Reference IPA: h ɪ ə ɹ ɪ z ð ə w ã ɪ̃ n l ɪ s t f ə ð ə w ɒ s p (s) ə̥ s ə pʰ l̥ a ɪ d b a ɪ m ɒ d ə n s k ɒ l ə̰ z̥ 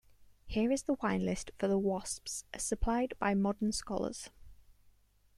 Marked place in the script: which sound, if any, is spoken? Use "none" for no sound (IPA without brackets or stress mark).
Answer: s